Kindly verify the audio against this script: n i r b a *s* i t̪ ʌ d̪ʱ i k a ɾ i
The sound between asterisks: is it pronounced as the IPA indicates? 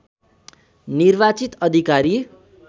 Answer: no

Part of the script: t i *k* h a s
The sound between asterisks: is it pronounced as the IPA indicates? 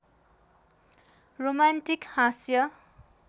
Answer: yes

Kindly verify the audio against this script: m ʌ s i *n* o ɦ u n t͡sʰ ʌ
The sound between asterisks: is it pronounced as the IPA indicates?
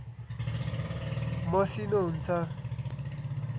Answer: yes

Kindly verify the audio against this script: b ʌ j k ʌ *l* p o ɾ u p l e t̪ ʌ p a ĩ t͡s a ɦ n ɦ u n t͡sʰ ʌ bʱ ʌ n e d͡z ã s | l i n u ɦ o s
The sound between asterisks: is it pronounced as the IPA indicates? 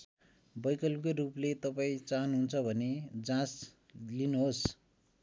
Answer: yes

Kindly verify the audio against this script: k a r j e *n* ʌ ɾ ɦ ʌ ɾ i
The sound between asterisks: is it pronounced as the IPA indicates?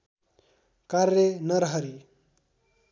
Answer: yes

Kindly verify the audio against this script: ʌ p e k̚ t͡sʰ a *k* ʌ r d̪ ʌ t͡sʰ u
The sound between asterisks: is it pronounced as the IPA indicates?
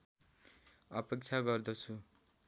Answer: no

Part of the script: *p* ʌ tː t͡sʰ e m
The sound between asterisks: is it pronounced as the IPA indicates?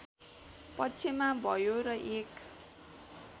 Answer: yes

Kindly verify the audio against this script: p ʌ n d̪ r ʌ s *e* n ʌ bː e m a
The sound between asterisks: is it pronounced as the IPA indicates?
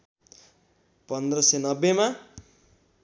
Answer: yes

